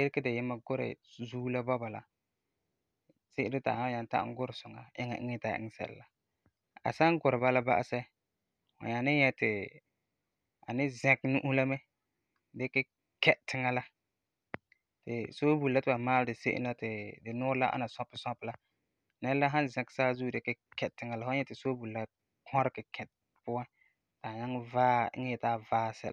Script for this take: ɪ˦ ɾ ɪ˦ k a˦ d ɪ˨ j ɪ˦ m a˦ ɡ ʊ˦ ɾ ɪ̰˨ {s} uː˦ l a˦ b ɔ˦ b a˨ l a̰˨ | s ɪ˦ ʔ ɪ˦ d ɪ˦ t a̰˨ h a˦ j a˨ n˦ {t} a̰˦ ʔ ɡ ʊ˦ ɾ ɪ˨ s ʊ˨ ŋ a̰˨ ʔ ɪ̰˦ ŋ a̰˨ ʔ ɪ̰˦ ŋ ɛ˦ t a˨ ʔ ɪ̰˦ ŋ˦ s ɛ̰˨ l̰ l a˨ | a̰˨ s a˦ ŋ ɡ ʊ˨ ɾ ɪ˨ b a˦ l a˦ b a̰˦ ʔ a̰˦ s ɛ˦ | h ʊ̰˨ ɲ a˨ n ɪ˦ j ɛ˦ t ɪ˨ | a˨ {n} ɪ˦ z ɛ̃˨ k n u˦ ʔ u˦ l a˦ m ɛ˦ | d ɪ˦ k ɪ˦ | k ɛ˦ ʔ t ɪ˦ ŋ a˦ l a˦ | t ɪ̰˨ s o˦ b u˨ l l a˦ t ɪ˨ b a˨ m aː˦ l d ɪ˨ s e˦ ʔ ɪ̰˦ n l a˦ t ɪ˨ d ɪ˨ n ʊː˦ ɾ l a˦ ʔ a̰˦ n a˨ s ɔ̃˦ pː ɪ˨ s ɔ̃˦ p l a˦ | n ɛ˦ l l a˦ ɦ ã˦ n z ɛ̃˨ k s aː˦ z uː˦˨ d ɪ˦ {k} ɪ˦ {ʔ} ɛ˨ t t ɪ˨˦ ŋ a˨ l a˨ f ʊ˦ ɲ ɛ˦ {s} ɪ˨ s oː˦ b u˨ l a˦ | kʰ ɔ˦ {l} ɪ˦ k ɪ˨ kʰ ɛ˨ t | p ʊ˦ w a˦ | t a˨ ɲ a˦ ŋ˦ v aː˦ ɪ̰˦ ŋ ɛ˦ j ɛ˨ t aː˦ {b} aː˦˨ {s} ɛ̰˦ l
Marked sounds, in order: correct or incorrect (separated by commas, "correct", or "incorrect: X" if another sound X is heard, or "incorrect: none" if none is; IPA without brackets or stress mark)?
incorrect: z, correct, correct, correct, incorrect: k, incorrect: t, incorrect: ɾ, incorrect: v, correct